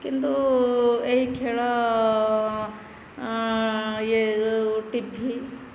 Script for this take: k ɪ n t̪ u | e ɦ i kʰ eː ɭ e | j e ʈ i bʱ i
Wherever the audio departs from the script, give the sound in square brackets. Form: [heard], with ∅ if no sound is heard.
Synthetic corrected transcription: k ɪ n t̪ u | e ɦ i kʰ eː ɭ [a] | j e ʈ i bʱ i